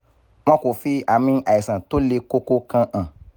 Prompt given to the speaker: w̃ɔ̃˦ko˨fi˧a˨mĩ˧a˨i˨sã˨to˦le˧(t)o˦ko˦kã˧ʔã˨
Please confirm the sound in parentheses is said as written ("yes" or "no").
no